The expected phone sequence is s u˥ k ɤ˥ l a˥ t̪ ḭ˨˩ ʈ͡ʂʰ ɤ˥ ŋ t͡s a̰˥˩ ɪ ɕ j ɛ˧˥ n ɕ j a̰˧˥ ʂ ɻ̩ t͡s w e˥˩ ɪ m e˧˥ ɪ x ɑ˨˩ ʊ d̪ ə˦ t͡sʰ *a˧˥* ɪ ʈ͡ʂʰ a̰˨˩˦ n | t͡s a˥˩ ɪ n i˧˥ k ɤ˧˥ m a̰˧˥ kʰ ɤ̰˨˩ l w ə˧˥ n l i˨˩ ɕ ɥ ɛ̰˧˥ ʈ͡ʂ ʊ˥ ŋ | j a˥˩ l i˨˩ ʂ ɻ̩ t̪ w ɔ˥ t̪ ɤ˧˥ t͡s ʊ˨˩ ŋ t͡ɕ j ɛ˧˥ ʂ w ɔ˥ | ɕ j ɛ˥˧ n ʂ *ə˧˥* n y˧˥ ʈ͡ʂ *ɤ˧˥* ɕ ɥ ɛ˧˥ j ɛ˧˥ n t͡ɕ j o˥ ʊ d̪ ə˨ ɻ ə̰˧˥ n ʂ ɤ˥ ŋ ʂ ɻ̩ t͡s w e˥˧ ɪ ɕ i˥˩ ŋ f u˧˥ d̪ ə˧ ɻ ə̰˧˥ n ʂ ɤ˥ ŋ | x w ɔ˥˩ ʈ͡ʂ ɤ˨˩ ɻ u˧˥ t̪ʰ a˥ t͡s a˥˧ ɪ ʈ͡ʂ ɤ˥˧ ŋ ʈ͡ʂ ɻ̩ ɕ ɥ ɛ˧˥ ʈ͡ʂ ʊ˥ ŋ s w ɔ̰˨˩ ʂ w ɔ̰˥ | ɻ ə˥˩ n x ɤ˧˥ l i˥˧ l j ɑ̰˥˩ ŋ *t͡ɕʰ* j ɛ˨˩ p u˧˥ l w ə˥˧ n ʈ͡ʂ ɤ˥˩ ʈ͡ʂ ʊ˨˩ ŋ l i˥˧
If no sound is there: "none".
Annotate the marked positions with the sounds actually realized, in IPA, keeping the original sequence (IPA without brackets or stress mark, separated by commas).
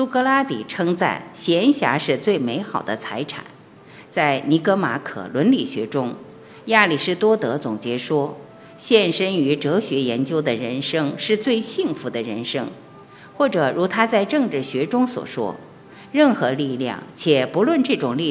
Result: a˧˥, ə˥, ɤ˧˥, t͡ɕʰ